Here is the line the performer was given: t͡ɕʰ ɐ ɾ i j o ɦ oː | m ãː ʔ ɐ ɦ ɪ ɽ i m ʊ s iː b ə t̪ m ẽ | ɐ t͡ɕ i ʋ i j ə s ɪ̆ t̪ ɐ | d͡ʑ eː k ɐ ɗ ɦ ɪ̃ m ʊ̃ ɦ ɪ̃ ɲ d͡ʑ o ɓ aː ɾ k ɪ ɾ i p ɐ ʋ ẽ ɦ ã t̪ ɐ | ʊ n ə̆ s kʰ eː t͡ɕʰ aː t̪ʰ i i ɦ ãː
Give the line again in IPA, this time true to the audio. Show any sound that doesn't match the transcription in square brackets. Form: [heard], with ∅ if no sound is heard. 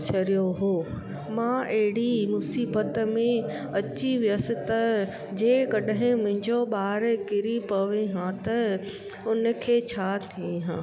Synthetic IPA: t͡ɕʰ ɐ ɾ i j o ɦ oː | m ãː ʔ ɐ ɦ ɪ ɽ i m ʊ s iː b ə t̪ m ẽ | ɐ t͡ɕ i ʋ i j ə s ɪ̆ t̪ ɐ | d͡ʑ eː k ɐ ɗ ɦ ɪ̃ m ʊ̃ ɦ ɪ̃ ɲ d͡ʑ o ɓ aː ɾ k ɪ ɾ i p ɐ ʋ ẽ ɦ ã t̪ ɐ | ʊ n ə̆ [∅] kʰ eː t͡ɕʰ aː t̪ʰ i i ɦ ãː

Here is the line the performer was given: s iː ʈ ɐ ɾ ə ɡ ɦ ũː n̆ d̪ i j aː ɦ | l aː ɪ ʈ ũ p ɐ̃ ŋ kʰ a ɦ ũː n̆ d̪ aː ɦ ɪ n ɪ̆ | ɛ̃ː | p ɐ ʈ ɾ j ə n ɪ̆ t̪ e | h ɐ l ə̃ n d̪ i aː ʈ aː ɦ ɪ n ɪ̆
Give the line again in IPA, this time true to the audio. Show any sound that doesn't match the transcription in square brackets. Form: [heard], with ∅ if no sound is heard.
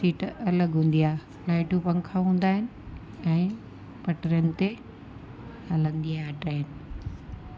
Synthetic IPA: s iː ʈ ɐ [l] ə ɡ ɦ ũː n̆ d̪ i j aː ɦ | l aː ɪ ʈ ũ p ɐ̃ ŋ kʰ a ɦ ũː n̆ d̪ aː ɦ ɪ n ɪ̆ | ɛ̃ː | p ɐ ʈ ɾ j ə n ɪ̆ t̪ e | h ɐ l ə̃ n d̪ i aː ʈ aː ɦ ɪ n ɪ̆

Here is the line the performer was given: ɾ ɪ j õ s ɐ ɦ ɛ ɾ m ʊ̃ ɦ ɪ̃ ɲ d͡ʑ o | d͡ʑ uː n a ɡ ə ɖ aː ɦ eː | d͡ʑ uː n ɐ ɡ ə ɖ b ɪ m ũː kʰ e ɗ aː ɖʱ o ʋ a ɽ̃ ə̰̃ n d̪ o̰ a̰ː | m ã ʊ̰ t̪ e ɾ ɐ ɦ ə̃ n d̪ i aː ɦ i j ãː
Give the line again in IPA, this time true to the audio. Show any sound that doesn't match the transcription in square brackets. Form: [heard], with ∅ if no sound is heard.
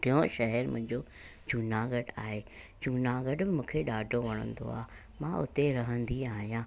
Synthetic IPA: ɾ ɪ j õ [ʃ] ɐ ɦ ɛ ɾ m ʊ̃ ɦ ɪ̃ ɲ d͡ʑ o | d͡ʑ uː n a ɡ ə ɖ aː ɦ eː | d͡ʑ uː n [a] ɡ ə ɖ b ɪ m ũː kʰ e ɗ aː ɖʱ o ʋ [ɐ] ɽ̃ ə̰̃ n d̪ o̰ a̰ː | m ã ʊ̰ t̪ e ɾ ɐ ɦ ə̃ n d̪ i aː ɦ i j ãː

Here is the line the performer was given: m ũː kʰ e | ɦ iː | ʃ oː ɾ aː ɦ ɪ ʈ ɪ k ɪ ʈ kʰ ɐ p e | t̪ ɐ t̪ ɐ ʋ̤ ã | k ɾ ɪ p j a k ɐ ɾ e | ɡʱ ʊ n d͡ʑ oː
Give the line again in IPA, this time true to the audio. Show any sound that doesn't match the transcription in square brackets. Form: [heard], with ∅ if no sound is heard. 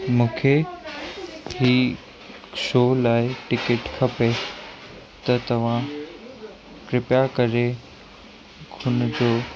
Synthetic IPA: m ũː kʰ e | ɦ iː | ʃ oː [l] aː [∅] ɪ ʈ ɪ k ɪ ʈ kʰ ɐ p e | t̪ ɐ t̪ ɐ ʋ̤ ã | k ɾ ɪ p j a k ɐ ɾ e | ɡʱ ʊ n d͡ʑ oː

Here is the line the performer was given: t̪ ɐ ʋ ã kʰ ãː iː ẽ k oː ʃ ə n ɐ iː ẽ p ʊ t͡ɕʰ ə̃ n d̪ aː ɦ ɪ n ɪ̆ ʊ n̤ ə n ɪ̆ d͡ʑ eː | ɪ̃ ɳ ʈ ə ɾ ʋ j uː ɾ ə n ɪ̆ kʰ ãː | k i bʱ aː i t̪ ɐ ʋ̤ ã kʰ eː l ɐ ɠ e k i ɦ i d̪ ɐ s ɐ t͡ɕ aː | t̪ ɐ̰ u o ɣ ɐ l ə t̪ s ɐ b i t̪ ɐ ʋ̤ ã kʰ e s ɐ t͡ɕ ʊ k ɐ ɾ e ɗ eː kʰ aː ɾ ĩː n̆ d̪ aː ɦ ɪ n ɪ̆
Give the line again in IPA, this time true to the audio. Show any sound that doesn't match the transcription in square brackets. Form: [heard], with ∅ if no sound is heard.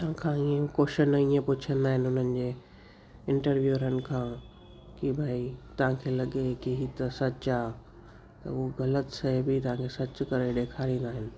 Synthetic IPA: t̪ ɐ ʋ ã kʰ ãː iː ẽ k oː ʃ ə n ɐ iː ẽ p ʊ t͡ɕʰ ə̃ n d̪ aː ɦ ɪ n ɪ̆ ʊ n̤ ə n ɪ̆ d͡ʑ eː | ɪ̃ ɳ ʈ ə ɾ ʋ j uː ɾ ə n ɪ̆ kʰ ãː | k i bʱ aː i t̪ ɐ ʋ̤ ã kʰ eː l ɐ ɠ e k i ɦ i [t̪] ɐ s ɐ t͡ɕ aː | t̪ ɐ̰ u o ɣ ɐ l ə t̪ s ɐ b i t̪ ɐ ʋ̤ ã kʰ e s ɐ t͡ɕ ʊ k ɐ ɾ e ɗ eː kʰ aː ɾ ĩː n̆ d̪ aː ɦ ɪ n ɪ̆

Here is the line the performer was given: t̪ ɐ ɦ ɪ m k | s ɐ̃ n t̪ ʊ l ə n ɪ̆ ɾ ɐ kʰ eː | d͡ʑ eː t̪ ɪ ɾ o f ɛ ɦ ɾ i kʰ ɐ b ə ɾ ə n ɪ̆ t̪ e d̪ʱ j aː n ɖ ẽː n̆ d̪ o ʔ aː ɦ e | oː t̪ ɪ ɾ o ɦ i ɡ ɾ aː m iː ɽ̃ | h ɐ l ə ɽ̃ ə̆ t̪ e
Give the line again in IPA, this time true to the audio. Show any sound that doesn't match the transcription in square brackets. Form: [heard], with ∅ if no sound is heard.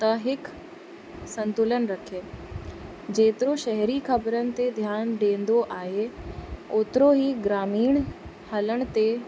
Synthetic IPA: t̪ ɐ ɦ ɪ [∅] k | s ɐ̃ n t̪ ʊ l ə n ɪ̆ ɾ ɐ kʰ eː | d͡ʑ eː t̪ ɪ ɾ o [ʃ] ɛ ɦ ɾ i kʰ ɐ b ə ɾ ə n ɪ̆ t̪ e d̪ʱ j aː n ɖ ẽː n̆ d̪ o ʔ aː ɦ e | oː t̪ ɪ ɾ o ɦ i ɡ ɾ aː m iː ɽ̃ | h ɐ l ə ɽ̃ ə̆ t̪ e

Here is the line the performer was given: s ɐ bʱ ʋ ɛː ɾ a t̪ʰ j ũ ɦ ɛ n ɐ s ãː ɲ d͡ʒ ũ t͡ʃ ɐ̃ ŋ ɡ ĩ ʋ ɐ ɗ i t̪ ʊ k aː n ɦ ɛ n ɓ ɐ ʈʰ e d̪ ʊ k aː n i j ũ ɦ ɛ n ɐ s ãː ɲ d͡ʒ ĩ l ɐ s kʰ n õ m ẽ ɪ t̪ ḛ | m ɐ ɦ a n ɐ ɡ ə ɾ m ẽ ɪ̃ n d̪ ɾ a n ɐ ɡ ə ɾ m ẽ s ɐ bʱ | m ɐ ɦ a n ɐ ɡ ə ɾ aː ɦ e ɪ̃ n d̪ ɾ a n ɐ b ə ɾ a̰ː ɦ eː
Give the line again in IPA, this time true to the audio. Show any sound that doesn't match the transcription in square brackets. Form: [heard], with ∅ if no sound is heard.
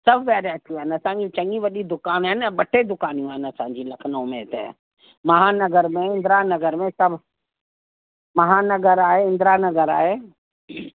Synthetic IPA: s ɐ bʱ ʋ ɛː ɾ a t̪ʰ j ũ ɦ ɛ n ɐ s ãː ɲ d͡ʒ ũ t͡ʃ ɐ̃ ŋ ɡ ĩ ʋ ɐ ɗ i [d̪] ʊ k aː n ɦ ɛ n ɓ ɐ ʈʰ e d̪ ʊ k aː n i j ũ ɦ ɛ n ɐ s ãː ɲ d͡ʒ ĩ l ɐ [∅] kʰ n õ m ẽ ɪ t̪ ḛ | m ɐ ɦ a n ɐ ɡ ə ɾ m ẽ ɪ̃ n d̪ ɾ a n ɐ ɡ ə ɾ m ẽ s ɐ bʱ | m ɐ ɦ a n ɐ ɡ ə ɾ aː ɦ e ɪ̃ n d̪ ɾ a n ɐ [ɡ] ə ɾ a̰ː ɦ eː

